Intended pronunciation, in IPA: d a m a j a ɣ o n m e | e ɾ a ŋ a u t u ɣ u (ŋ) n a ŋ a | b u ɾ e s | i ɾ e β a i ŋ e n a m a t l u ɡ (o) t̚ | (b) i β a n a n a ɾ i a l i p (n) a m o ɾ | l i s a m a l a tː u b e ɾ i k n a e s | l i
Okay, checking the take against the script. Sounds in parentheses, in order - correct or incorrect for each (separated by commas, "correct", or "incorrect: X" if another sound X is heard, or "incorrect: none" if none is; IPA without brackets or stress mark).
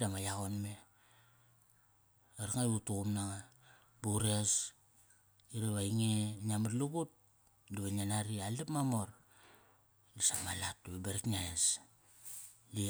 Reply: incorrect: m, incorrect: u, incorrect: d, incorrect: m